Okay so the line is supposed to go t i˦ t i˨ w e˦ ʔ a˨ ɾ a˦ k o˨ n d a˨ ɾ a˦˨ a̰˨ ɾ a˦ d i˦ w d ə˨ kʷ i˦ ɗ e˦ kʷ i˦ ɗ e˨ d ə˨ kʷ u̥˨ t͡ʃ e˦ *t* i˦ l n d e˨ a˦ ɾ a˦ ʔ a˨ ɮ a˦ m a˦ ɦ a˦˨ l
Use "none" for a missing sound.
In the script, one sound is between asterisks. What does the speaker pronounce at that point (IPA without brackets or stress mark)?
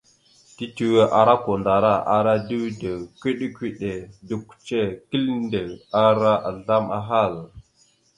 k